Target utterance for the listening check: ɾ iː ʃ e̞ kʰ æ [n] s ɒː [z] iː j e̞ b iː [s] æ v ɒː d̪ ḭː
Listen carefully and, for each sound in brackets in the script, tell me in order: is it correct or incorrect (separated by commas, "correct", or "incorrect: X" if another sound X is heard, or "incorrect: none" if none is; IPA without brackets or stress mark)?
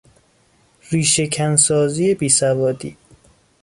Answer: correct, correct, correct